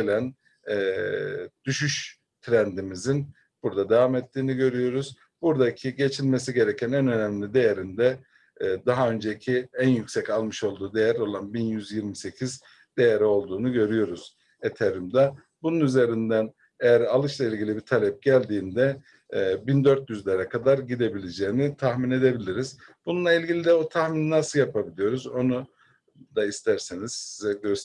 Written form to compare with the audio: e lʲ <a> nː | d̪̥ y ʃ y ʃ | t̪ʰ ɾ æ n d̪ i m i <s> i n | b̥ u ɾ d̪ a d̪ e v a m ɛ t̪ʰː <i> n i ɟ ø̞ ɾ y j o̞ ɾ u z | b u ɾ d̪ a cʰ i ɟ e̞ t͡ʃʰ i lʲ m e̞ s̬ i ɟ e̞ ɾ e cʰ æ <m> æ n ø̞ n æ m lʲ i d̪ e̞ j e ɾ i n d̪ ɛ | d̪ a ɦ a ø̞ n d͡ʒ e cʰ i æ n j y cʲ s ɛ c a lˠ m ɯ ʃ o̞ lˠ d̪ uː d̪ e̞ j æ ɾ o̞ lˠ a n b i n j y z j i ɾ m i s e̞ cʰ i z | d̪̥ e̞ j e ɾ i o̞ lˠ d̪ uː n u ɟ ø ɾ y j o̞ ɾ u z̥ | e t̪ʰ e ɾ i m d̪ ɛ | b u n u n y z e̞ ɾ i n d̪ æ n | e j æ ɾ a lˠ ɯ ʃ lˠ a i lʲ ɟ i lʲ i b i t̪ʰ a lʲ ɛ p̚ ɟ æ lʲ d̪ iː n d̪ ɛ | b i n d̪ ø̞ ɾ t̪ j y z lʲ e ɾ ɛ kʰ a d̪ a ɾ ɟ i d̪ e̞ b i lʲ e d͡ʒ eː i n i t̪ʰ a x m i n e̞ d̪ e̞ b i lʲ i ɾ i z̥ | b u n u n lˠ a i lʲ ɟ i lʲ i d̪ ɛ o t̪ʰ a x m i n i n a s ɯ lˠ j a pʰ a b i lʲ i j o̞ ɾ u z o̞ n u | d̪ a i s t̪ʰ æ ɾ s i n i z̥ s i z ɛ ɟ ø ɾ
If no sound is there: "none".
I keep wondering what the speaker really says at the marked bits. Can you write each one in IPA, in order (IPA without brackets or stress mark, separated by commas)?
æ, z, iː, n